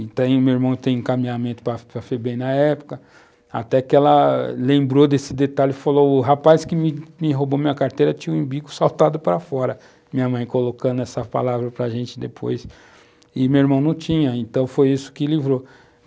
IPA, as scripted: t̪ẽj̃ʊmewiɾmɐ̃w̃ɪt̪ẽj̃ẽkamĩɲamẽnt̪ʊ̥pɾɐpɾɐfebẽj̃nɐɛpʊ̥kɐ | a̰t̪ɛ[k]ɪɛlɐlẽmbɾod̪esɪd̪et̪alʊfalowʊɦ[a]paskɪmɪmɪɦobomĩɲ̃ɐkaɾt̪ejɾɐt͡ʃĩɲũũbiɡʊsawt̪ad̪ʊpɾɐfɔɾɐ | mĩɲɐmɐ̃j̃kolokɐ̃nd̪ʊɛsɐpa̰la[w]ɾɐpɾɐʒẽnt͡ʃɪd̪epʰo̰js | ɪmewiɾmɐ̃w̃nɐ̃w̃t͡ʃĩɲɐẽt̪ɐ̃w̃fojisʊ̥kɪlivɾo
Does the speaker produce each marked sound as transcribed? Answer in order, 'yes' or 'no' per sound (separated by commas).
yes, yes, no